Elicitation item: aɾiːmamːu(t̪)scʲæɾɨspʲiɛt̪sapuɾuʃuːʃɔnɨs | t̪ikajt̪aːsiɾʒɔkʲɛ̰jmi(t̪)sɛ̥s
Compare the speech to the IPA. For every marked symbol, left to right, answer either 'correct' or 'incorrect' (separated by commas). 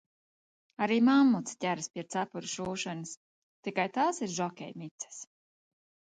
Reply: correct, correct